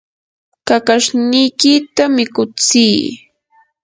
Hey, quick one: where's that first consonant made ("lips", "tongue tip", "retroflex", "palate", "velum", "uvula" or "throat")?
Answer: velum